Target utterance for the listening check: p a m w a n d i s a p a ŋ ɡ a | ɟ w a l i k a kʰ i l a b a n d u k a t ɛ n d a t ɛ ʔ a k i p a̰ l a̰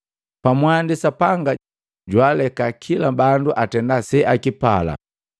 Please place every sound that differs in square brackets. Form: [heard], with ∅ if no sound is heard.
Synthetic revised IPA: p a m w a n d i s a p a ŋ ɡ a | ɟ w a l [ɛ] k a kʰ i l a b a n d u [ʔ] a t ɛ n d a [s] ɛ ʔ a k i p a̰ l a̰